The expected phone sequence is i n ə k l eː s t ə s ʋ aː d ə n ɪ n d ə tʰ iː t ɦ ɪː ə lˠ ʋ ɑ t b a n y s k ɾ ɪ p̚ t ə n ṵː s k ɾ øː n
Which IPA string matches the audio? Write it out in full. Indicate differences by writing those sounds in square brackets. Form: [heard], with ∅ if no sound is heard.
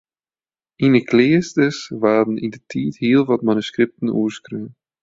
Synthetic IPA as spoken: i n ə k l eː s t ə s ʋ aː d ə n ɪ n d ə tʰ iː t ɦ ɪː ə lˠ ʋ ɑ t [m] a n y s k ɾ ɪ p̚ t ə n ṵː s k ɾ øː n